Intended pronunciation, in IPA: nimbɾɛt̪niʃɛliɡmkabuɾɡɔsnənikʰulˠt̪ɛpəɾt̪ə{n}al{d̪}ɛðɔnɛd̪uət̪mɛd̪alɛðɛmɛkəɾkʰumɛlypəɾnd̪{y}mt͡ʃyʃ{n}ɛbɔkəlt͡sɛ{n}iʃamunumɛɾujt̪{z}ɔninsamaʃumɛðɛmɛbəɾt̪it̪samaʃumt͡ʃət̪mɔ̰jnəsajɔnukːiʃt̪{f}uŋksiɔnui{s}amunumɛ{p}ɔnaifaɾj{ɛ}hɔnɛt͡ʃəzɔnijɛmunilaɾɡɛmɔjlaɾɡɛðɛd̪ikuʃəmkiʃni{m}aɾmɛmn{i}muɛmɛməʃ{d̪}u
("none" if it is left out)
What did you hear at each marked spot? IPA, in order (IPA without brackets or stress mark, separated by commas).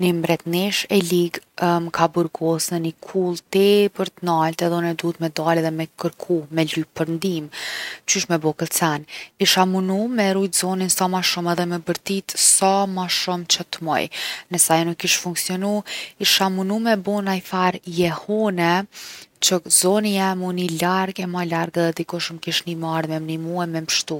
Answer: n, t̪, i, m, n, z, f, ʃ, b, ɛ, m, i, t̪